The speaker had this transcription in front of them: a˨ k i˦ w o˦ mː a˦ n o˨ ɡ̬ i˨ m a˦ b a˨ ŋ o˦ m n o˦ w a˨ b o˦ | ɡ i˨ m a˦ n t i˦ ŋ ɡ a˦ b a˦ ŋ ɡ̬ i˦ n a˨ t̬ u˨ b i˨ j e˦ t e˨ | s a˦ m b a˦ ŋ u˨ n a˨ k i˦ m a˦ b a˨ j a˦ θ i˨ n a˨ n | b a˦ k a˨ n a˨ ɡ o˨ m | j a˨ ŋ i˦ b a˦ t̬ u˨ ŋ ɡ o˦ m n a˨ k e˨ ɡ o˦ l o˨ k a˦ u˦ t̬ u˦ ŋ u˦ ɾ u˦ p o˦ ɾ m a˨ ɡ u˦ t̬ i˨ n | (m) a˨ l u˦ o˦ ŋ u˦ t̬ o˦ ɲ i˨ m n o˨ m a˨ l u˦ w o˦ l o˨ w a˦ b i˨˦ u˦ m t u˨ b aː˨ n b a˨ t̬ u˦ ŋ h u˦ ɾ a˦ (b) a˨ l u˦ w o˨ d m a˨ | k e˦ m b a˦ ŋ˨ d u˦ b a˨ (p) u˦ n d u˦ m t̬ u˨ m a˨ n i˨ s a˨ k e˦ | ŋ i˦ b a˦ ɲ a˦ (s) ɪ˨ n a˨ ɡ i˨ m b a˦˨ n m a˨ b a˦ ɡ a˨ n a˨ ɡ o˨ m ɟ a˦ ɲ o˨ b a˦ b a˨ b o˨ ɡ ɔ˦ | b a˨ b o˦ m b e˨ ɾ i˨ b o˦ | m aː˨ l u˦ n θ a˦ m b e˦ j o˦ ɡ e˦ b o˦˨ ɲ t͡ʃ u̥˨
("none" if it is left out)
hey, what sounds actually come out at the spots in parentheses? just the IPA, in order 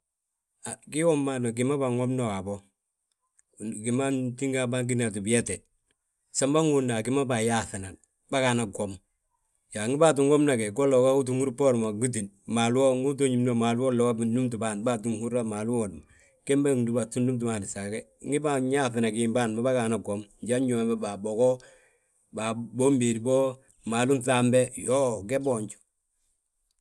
m, m, t, θ

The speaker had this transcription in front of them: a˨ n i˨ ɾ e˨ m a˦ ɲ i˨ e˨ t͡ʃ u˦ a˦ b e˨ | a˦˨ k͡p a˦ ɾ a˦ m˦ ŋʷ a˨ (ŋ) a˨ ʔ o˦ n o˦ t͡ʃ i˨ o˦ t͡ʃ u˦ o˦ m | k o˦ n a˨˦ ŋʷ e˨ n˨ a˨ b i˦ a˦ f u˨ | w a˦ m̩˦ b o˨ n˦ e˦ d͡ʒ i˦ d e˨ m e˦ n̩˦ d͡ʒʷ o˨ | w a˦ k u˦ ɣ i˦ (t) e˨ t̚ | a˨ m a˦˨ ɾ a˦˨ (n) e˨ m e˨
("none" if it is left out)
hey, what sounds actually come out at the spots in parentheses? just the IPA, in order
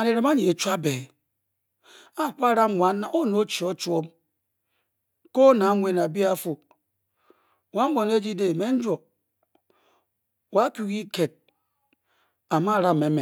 n, k, m

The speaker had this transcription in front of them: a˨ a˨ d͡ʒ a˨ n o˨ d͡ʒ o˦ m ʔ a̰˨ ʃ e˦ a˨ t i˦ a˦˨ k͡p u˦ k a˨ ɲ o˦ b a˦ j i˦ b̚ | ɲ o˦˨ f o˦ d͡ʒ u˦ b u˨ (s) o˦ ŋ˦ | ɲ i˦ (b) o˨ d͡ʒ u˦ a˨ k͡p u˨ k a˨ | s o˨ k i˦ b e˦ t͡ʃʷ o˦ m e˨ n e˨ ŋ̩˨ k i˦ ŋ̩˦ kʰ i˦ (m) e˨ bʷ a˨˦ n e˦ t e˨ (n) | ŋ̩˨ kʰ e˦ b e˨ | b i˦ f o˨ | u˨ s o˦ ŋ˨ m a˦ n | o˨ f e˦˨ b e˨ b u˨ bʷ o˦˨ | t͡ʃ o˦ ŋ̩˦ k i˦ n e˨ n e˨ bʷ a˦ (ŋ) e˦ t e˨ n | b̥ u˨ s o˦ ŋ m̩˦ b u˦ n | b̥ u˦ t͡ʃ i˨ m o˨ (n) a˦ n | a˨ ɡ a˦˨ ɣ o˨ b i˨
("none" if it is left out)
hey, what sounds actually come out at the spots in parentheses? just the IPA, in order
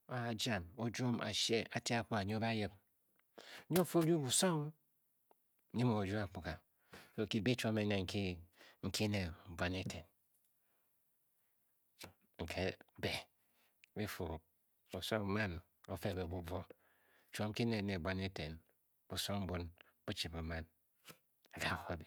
s, m, n, n, n, m

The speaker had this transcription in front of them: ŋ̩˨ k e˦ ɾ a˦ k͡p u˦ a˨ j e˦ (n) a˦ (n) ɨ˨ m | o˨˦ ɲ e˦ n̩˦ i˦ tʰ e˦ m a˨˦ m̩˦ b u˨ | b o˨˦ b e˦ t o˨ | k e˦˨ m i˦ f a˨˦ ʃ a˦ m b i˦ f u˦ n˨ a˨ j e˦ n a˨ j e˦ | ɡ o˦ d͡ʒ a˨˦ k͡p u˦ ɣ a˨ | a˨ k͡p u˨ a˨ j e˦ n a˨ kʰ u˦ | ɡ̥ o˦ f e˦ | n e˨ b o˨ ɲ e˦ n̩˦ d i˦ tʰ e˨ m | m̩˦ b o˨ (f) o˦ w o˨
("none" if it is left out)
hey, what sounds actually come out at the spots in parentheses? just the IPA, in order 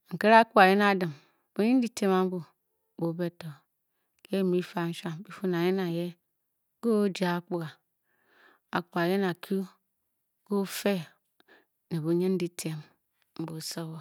n, d, s

